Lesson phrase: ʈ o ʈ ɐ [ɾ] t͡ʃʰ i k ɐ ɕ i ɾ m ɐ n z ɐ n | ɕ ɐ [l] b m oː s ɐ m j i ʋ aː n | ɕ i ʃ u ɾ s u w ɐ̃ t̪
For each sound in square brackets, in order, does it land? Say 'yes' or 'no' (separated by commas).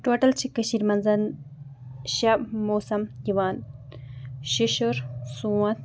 no, no